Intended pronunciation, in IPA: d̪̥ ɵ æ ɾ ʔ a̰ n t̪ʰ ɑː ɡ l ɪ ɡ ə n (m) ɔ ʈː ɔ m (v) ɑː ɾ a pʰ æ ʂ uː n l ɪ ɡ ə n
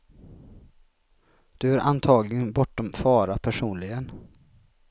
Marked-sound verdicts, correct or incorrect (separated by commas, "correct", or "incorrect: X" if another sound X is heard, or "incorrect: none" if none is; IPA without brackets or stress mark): incorrect: b, incorrect: f